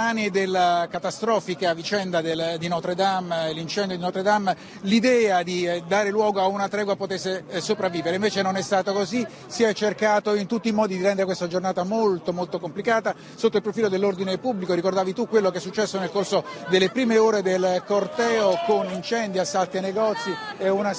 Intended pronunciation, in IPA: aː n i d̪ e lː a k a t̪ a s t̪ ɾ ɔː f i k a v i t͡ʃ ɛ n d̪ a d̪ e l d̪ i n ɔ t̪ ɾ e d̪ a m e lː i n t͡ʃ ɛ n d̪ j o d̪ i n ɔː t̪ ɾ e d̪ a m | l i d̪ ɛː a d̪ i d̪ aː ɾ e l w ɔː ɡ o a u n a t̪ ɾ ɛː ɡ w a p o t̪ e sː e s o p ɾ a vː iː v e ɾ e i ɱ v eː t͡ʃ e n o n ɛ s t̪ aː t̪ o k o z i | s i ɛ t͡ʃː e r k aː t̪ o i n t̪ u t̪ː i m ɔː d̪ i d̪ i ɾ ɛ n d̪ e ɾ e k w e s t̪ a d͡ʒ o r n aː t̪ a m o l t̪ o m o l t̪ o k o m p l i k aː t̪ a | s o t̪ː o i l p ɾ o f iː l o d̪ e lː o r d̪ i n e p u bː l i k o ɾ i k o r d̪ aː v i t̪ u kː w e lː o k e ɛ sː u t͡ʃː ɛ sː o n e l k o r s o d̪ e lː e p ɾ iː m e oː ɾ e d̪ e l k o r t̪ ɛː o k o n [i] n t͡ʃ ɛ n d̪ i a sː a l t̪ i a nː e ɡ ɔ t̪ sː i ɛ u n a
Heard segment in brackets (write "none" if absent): i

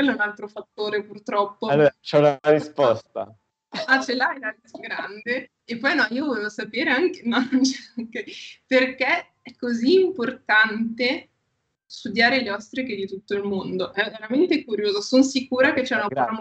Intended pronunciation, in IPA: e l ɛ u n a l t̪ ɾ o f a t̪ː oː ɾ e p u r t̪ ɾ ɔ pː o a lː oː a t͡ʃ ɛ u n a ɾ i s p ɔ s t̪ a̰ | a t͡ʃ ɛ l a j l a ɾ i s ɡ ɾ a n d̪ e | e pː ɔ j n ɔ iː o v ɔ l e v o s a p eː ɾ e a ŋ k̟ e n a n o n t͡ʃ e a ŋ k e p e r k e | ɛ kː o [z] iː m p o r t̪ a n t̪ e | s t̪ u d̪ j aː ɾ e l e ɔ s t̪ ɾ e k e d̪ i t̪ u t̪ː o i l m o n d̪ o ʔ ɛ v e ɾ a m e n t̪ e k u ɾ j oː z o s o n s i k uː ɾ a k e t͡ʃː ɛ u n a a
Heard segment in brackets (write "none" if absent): z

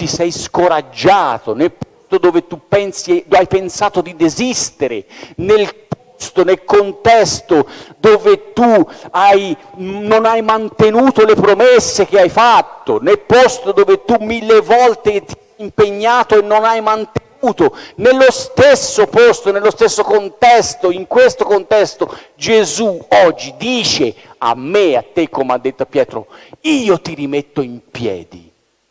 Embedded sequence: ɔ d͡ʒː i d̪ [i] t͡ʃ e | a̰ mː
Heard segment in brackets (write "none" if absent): iː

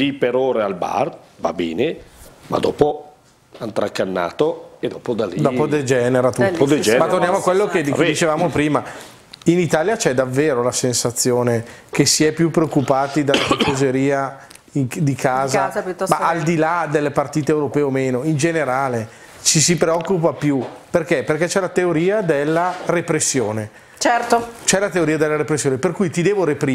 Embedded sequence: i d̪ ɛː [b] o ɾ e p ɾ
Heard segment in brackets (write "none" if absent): v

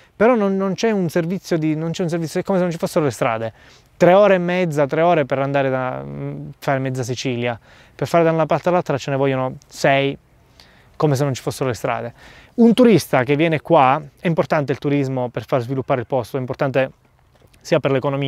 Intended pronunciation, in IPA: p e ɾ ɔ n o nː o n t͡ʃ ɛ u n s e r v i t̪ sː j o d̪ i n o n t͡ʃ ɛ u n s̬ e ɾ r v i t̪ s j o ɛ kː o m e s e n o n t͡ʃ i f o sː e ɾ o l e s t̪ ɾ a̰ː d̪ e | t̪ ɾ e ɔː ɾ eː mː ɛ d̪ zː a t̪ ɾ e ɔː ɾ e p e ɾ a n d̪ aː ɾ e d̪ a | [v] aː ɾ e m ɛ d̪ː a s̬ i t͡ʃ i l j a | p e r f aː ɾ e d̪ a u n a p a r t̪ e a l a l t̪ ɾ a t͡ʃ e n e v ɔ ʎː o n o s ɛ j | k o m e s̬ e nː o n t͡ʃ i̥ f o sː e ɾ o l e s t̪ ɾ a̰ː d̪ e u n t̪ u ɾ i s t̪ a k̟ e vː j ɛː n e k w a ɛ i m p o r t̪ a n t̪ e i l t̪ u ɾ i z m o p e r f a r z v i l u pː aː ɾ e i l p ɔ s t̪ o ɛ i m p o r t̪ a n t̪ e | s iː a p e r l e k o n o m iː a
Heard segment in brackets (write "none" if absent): f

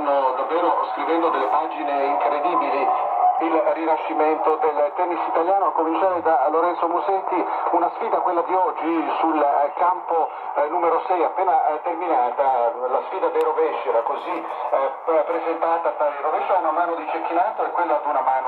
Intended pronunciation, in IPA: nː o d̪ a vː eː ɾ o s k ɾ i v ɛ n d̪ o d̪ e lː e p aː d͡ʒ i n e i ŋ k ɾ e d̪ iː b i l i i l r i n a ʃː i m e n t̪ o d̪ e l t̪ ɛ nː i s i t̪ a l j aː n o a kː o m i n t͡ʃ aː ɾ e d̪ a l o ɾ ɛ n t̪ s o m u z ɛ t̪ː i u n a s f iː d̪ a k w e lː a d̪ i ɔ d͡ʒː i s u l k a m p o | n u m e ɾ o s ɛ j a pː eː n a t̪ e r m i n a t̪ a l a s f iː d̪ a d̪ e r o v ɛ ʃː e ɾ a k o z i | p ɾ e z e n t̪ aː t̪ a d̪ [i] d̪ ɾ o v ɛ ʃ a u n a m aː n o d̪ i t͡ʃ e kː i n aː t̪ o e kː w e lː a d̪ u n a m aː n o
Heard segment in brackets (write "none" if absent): a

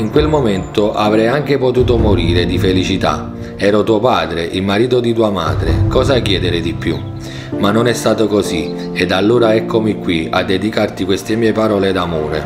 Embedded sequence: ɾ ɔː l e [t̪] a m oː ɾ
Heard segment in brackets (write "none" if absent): d̪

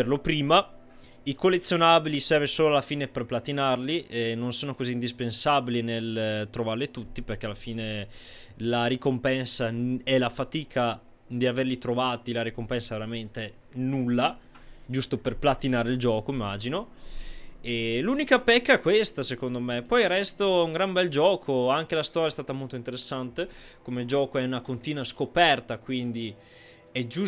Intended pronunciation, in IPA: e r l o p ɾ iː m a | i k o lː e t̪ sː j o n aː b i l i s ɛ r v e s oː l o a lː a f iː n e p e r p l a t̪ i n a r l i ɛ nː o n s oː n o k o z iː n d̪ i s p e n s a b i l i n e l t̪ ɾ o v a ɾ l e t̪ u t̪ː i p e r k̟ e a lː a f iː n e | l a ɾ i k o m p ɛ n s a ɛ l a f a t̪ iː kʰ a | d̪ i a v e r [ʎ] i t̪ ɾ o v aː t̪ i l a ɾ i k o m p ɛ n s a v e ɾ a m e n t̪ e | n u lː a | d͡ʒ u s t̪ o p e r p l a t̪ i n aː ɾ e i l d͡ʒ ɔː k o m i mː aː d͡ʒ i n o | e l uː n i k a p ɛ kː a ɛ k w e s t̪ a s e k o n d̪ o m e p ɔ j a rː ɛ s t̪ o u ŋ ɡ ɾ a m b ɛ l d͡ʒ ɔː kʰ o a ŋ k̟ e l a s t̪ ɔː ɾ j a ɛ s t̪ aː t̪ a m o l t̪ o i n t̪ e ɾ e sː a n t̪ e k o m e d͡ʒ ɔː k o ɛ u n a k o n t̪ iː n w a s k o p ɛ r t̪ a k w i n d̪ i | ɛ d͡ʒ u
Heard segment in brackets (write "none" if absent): l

